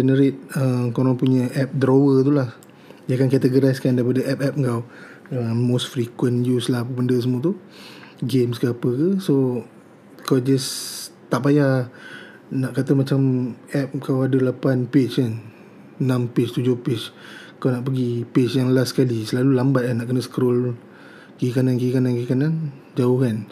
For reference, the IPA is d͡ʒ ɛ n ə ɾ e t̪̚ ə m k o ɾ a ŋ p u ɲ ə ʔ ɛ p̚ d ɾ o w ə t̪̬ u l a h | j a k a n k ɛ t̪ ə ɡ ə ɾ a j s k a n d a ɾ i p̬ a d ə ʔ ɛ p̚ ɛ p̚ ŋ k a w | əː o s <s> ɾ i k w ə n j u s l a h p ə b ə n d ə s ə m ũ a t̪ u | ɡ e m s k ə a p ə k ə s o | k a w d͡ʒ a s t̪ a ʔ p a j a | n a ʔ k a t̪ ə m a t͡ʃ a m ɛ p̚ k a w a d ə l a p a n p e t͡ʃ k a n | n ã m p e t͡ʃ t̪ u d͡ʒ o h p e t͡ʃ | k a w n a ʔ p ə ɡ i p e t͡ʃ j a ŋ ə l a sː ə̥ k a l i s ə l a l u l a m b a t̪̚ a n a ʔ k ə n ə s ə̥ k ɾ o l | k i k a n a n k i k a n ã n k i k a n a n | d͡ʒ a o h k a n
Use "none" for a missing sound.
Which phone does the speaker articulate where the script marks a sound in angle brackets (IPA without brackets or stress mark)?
f